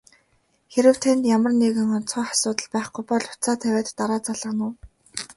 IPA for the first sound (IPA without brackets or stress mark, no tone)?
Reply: x